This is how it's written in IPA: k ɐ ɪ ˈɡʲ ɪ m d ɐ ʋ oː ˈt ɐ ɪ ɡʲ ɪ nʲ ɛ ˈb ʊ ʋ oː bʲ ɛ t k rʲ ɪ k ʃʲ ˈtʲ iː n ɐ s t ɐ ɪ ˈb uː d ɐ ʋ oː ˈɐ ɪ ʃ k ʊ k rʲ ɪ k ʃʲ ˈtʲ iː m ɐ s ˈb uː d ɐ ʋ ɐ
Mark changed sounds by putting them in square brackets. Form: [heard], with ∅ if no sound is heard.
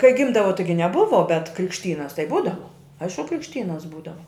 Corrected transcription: k ɐ ɪ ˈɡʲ ɪ m d ɐ ʋ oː ˈt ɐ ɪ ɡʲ ɪ nʲ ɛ ˈb ʊ ʋ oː bʲ ɛ t k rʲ ɪ k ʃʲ ˈtʲ iː n ɐ s t ɐ ɪ ˈb uː d ɐ ʋ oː ˈɐ ɪ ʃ k ʊ k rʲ ɪ k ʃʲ ˈtʲ iː [n] ɐ s ˈb uː d ɐ ʋ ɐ

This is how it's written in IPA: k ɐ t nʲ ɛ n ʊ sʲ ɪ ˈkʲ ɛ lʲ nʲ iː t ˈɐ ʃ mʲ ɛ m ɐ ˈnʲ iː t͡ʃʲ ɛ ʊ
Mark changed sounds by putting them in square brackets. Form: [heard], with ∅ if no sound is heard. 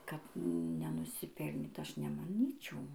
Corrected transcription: k ɐ t nʲ ɛ n ʊ sʲ ɪ [ˈpʲ] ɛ lʲ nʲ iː t ˈɐ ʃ [nʲ] ɛ m ɐ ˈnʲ iː t͡ʃʲ ɛ ʊ

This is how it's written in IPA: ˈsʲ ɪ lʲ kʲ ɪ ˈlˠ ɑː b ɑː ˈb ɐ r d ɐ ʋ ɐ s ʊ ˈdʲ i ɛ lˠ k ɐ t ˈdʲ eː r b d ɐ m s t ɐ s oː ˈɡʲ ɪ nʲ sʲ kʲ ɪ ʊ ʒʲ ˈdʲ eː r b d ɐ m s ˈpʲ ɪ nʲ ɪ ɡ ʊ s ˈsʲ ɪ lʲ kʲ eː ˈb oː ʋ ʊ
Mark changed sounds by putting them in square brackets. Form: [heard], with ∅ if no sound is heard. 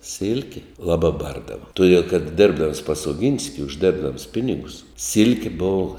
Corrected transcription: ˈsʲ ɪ lʲ kʲ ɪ ˈlˠ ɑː b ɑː ˈb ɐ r d ɐ ʋ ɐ [t] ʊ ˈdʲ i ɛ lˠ k ɐ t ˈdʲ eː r b d ɐ m s [p] ɐ s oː ˈɡʲ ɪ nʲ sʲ kʲ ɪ ʊ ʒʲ ˈdʲ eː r b d ɐ m s ˈpʲ ɪ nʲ ɪ ɡ ʊ s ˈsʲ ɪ lʲ kʲ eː ˈb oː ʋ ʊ

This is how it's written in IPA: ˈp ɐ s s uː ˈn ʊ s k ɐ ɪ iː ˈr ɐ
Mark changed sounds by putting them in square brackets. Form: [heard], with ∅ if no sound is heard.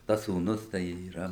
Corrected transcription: [ˈt] ɐ s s uː ˈn ʊ s [t] ɐ ɪ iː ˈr ɐ

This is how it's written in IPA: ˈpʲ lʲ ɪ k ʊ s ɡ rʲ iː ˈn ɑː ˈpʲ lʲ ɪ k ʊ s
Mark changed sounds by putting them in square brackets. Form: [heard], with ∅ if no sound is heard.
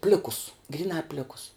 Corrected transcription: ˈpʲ lʲ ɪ k ʊ s ɡ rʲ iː ˈn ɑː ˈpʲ lʲ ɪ k ʊ s

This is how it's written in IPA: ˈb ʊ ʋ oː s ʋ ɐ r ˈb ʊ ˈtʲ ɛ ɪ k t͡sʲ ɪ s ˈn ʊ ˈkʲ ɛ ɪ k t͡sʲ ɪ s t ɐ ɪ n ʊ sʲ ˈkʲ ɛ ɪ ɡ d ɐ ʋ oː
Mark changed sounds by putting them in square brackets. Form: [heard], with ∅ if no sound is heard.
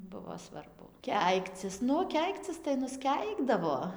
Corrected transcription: ˈb ʊ ʋ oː s ʋ ɐ r ˈb ʊ [ˈkʲ] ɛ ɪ k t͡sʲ ɪ s ˈn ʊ ˈkʲ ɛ ɪ k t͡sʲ ɪ s t ɐ ɪ n ʊ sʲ ˈkʲ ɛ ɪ ɡ d ɐ ʋ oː

